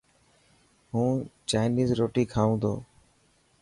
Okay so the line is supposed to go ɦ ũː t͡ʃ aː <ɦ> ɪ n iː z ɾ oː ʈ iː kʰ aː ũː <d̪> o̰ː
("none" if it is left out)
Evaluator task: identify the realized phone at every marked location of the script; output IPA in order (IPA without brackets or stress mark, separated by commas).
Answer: none, d̪